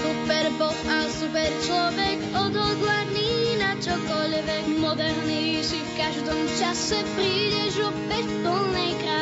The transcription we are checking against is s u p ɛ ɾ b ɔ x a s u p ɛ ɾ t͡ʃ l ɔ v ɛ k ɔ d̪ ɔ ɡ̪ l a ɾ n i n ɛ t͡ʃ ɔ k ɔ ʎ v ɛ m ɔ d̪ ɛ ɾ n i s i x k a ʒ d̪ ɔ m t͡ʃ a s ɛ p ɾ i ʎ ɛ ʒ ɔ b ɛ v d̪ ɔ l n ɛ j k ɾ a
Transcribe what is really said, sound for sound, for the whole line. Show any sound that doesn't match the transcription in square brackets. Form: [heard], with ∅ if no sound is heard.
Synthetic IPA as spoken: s u p ɛ ɾ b ɔ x a s u p ɛ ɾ t͡ʃ l ɔ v ɛ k ɔ d̪ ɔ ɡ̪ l a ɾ n i n [a] t͡ʃ ɔ k ɔ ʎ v ɛ m ɔ d̪ ɛ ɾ n i s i [f] k a ʒ d̪ ɔ m t͡ʃ a s ɛ p ɾ i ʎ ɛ ʒ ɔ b ɛ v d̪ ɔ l n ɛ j k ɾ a